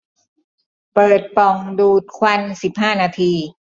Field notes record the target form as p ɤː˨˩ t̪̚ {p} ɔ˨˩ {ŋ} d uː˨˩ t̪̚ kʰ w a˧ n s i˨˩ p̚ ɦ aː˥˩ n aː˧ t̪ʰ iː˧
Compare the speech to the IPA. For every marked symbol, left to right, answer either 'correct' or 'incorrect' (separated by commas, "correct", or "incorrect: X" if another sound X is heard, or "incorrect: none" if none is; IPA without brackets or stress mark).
correct, correct